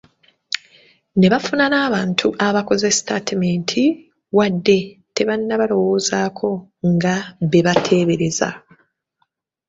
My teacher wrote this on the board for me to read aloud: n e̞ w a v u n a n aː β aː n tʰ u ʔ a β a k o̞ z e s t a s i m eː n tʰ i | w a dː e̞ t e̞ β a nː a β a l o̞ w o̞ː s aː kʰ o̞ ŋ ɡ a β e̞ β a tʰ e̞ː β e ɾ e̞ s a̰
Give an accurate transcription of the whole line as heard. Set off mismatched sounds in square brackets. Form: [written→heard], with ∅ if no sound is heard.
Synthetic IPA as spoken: n e̞ [w→β] a [v→f] u n a n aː β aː n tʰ u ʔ a β a k o̞ z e s t a [s→t] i m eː n tʰ i | w a dː e̞ t e̞ β a nː a β a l o̞ w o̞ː [s→z] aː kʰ o̞ ŋ ɡ a β e̞ β a tʰ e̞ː β e ɾ e̞ [s→z] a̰